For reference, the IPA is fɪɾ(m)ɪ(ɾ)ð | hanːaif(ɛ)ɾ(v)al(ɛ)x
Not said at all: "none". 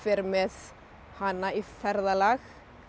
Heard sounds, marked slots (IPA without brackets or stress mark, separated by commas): m, none, ɛ, ð, a